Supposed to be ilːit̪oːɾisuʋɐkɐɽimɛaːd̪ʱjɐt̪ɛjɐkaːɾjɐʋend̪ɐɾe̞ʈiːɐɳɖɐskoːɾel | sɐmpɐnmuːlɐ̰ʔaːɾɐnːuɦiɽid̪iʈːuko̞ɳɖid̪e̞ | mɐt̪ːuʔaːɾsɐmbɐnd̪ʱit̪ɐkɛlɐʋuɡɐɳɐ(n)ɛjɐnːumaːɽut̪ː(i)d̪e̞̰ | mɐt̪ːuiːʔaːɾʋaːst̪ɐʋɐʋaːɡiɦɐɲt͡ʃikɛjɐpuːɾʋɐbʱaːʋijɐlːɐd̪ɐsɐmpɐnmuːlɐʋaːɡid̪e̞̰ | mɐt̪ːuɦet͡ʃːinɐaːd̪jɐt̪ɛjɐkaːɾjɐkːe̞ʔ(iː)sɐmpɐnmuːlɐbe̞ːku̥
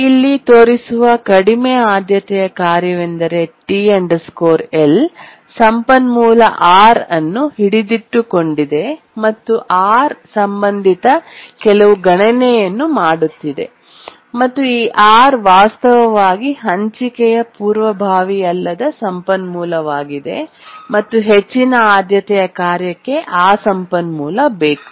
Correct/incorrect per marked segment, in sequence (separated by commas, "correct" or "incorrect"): correct, correct, incorrect